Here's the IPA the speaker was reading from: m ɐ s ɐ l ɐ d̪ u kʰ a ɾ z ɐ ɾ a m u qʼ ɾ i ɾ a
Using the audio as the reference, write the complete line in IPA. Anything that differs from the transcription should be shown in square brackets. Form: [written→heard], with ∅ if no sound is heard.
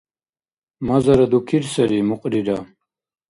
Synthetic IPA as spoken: m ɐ [s→z] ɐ [l→ɾ] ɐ d̪ u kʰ [a→i] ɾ [z→s] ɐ ɾ [a→i] m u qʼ ɾ i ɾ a

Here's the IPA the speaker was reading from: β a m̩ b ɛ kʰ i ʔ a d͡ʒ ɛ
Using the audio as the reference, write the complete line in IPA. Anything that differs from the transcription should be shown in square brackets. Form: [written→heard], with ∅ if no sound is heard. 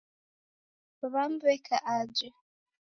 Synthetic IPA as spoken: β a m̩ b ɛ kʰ [i→a] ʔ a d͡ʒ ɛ

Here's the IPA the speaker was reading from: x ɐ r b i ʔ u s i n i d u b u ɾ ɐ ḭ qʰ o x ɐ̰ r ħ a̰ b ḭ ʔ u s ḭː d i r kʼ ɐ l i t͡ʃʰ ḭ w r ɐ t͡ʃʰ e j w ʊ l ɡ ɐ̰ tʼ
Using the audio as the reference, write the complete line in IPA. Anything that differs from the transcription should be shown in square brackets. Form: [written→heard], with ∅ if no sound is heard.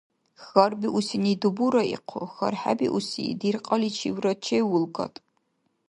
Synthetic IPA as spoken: x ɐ r b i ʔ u s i n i d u b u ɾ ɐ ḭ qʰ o x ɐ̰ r ħ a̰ b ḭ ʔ u s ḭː d i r [kʼ→qʼ] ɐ l i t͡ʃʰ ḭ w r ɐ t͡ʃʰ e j w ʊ l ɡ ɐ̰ tʼ

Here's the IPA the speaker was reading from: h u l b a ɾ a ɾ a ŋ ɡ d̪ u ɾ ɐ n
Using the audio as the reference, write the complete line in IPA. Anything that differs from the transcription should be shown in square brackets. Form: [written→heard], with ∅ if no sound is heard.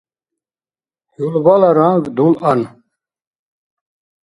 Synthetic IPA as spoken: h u l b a [ɾ→l] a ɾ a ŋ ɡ d̪ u [ɾ→l] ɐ n

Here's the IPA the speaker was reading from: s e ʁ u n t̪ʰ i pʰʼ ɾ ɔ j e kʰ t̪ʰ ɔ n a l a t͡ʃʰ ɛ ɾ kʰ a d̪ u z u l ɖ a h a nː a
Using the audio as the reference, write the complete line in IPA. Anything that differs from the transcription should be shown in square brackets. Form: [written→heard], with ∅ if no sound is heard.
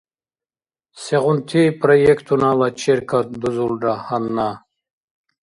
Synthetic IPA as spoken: s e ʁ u n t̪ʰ i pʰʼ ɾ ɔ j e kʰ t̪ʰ [ɔ→u] n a l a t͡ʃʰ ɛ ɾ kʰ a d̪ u z u l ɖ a h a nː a

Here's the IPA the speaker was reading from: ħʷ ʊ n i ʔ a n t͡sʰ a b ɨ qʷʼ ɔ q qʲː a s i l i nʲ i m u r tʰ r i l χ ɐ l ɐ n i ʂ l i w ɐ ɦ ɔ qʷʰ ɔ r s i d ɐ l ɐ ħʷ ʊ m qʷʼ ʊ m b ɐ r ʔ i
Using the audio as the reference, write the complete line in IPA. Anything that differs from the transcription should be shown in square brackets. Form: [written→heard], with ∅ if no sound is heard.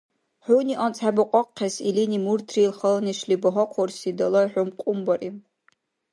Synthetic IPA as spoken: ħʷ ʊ n i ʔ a n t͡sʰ a b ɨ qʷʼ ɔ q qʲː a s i l i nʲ i m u r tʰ r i l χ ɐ l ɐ n i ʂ l i [w→b] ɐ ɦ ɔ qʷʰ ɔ r s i d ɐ l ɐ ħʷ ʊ m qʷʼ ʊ m b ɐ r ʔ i

